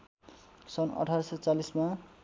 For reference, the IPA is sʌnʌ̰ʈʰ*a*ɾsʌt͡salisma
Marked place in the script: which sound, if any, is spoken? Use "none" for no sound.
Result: a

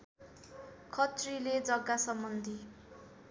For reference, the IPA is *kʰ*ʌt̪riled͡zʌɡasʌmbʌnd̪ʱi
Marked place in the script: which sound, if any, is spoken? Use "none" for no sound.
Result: kʰ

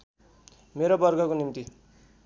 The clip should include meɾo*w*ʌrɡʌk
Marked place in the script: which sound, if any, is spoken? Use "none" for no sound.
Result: b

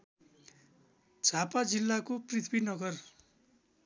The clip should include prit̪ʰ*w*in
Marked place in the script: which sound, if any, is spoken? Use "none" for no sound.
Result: b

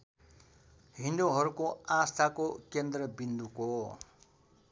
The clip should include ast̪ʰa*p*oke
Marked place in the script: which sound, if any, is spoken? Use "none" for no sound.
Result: k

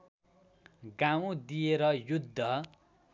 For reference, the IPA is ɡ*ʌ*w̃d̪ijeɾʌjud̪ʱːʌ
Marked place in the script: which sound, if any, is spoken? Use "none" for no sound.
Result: a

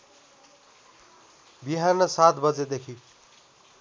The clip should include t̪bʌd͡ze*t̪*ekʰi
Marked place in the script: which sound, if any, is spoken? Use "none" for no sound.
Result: d̪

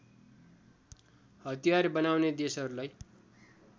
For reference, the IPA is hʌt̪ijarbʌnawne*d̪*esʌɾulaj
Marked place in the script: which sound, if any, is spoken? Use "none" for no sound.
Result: d̪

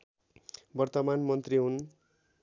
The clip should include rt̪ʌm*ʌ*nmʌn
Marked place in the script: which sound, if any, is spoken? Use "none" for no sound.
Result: a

